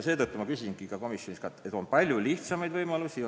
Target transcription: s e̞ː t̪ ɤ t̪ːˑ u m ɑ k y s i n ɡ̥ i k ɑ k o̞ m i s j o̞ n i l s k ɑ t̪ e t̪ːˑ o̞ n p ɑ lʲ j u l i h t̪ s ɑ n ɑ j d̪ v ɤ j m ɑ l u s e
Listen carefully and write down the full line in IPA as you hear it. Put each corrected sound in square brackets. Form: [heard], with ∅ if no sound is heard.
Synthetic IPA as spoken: s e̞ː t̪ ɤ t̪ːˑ u m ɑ k y s i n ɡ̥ i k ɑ k o̞ m i s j o̞ n i [∅] s k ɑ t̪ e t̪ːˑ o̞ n p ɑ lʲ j u l i h t̪ s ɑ [m] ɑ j d̪ v ɤ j m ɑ l u s [i]